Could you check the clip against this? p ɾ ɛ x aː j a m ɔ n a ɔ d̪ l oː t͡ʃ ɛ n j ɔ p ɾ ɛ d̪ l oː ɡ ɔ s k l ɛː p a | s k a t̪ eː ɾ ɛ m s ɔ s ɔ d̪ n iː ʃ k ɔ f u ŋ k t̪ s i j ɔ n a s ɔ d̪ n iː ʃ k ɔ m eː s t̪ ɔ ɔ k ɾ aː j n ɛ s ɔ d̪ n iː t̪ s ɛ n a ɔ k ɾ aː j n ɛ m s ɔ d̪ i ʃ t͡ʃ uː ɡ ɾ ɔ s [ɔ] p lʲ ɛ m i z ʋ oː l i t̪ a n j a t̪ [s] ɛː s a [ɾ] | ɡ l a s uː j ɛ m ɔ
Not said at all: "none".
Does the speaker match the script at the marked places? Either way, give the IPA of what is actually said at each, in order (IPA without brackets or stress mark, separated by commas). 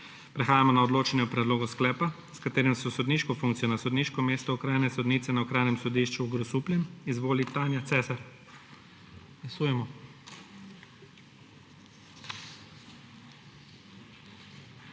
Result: u, s, ɾ